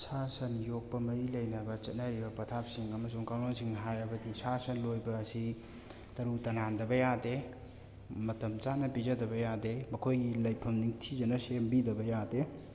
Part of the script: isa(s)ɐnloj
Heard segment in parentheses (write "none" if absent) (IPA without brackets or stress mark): s